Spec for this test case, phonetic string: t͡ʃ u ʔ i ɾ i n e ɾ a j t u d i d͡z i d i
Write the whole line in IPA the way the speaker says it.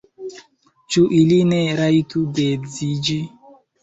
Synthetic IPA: t͡ʃ u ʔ i l i n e ɾ a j t u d e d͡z i d͡ʒ i